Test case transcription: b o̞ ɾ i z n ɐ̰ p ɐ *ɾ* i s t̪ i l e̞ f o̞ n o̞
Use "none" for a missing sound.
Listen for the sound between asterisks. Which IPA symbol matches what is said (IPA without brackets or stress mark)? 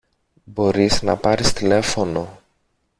ɾ